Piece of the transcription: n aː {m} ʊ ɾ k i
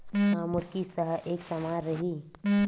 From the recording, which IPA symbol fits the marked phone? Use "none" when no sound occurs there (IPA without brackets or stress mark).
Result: m